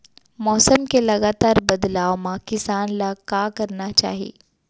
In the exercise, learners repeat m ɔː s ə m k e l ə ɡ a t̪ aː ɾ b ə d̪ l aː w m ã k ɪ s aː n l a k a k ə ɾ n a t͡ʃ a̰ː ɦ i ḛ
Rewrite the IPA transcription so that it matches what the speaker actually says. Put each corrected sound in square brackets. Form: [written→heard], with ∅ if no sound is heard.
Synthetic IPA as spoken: m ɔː s ə m k e l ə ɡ a t̪ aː ɾ b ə d̪ l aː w m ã k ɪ s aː n l a k a k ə ɾ n a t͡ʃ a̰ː ɦ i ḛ